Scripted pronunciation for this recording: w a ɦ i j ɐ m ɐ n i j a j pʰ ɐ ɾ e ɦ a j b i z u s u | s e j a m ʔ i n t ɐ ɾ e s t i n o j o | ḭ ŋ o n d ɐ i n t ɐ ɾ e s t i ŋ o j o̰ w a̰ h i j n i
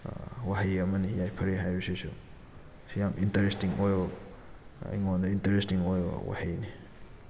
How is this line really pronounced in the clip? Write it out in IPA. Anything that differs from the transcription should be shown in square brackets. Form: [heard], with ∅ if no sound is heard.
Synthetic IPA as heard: w a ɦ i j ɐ m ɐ n i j a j pʰ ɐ ɾ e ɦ a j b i [s] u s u | s [i] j a m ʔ i n t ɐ ɾ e s t i [ŋ] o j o | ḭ ŋ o n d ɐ i n t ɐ ɾ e s t i ŋ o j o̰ w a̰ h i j n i